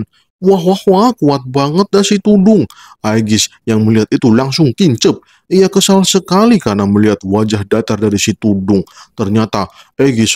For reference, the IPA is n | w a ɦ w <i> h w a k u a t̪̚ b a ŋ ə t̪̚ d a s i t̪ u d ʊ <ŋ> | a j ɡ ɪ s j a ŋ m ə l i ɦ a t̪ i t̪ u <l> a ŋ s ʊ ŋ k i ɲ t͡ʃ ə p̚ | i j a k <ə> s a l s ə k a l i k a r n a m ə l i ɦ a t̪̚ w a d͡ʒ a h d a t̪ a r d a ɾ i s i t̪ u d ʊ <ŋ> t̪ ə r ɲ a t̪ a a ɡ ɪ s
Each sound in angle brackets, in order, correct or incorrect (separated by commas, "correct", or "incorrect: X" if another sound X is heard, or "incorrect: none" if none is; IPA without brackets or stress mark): incorrect: a, correct, correct, correct, correct